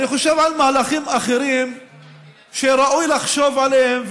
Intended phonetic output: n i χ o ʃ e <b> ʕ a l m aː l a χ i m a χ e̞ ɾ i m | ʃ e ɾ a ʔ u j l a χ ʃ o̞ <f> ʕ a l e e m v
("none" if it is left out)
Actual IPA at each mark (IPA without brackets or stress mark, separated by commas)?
v, v